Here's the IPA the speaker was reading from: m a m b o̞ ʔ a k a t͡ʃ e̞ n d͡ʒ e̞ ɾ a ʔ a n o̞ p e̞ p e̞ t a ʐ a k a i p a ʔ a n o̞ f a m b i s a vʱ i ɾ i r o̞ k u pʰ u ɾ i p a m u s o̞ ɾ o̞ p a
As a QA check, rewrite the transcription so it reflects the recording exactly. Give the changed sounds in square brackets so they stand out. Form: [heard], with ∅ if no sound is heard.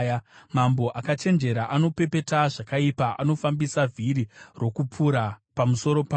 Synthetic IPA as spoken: m a m b o̞ ʔ a k a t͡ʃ e̞ n d͡ʒ e̞ ɾ a ʔ a n o̞ p e̞ p e̞ t a ʐ a k a i p a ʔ a n o̞ f a m b i s a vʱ i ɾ i r o̞ k u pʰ u ɾ [a] p a m u s o̞ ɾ o̞ p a